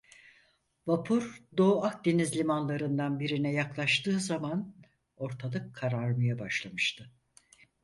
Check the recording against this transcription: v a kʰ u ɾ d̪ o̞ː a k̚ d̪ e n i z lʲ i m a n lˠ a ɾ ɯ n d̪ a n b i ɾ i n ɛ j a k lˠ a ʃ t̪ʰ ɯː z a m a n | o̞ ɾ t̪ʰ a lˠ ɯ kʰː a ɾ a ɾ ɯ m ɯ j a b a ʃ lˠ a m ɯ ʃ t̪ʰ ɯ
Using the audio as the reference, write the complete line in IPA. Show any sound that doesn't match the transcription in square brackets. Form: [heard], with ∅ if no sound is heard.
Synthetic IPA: v a [pʰ] u ɾ d̪ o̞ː a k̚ d̪ e n i z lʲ i m a n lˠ a ɾ ɯ n d̪ a n b i ɾ i n ɛ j a k lˠ a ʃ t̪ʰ ɯː z a m a n | o̞ ɾ t̪ʰ a lˠ ɯ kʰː a ɾ a ɾ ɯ m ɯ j a b a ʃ lˠ a m ɯ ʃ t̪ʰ ɯ